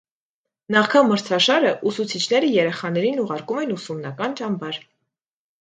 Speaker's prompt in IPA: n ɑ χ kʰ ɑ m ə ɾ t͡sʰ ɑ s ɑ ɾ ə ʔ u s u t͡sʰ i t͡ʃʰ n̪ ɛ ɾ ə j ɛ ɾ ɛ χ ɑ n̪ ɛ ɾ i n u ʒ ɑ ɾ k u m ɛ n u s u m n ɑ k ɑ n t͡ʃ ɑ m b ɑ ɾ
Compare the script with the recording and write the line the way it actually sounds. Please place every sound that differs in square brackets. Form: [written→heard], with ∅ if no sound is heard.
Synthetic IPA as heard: n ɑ χ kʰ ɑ m ə ɾ t͡sʰ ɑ [s→ʃ] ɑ ɾ ə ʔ u s u t͡sʰ i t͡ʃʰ n̪ ɛ ɾ ə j ɛ ɾ ɛ χ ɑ n̪ ɛ ɾ i n u [ʒ→ʁ] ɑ ɾ k u m ɛ n u s u m n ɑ k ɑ n t͡ʃ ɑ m b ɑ ɾ

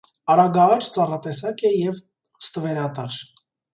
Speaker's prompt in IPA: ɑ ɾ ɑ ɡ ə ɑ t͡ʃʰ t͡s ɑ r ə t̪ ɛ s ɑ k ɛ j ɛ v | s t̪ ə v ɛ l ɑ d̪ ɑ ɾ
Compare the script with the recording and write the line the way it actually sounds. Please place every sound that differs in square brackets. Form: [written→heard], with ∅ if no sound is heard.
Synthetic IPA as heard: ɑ ɾ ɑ ɡ [ə→ɑ] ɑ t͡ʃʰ t͡s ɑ r [ə→ɑ] t̪ ɛ s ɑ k ɛ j ɛ v | s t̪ ə v ɛ [l→ɾ] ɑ [d̪→t̪] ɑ ɾ

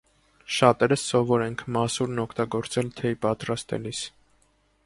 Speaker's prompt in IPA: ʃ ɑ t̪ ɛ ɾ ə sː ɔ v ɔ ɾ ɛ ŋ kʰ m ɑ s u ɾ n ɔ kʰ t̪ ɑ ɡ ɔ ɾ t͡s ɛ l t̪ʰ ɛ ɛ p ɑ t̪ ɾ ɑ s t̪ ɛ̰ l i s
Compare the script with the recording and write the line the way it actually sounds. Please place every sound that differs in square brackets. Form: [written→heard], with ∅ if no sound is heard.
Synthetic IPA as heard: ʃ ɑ t̪ ɛ ɾ ə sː ɔ v ɔ ɾ ɛ ŋ kʰ m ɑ s u ɾ n ɔ kʰ t̪ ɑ ɡ ɔ ɾ t͡s ɛ l t̪ʰ ɛ [ɛ→i] p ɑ t̪ ɾ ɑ s t̪ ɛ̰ l i s

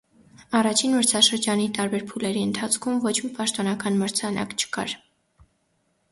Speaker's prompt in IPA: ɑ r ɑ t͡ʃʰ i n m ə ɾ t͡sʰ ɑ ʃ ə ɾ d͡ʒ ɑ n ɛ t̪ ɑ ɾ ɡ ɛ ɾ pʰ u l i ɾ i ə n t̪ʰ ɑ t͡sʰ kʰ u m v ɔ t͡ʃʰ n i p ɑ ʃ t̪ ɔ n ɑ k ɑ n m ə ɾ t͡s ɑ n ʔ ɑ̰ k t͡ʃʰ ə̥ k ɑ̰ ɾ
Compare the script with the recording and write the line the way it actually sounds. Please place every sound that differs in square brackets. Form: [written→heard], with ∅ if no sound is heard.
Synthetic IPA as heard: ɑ r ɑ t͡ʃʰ i n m ə ɾ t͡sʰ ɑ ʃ ə ɾ d͡ʒ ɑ n [ɛ→i] t̪ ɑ ɾ [ɡ→b] ɛ ɾ pʰ u l [i→ɛ] ɾ i ə n t̪ʰ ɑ t͡sʰ kʰ u m v ɔ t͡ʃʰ [n→m] i p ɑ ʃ t̪ ɔ n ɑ k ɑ n m ə ɾ [t͡s→t͡sʰ] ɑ n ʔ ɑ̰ k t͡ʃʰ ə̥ k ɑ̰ ɾ

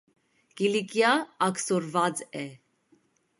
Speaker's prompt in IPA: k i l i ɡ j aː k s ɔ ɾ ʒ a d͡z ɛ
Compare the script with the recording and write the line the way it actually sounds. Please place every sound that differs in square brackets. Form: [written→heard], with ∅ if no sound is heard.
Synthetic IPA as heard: k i l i [ɡ→k] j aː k s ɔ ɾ [ʒ→v] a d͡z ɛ

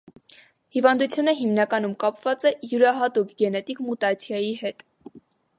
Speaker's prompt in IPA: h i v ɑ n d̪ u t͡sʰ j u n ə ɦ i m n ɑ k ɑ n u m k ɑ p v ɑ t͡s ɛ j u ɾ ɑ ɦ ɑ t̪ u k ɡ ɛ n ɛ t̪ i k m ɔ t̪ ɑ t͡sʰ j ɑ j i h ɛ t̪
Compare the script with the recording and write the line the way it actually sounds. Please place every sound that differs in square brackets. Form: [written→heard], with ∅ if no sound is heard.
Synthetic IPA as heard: h i v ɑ n d̪ u t͡sʰ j u n ə ɦ i m n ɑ k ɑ n u m k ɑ p v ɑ t͡s ɛ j u ɾ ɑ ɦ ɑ t̪ u k ɡ ɛ n ɛ t̪ i k m [ɔ→u] t̪ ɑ t͡sʰ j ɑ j i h ɛ t̪

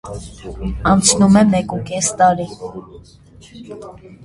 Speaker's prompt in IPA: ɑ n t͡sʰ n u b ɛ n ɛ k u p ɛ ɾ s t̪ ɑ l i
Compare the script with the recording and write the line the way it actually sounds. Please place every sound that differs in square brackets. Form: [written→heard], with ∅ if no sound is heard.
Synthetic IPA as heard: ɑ n t͡sʰ n u [b→m] ɛ [n→m] ɛ k u [p→k] ɛ [ɾ→∅] s t̪ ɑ [l→ɾ] i

